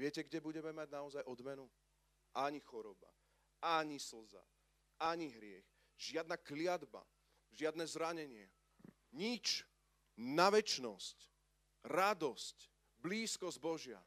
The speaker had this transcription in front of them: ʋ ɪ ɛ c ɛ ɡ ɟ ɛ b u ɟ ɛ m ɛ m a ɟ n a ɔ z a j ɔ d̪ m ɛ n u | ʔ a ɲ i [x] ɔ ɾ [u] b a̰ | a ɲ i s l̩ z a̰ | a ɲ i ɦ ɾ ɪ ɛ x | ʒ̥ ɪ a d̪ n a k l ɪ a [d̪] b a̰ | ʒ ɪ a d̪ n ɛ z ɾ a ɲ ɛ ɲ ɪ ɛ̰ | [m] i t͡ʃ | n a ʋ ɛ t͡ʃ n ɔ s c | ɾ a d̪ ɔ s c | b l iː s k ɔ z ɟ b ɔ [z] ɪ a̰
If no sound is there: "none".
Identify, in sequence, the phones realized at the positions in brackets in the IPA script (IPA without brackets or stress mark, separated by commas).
x, ɔ, d̪, ɲ, ʒ